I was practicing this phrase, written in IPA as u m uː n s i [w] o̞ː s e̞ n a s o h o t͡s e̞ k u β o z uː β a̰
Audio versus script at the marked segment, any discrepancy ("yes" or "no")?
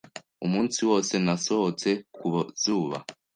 no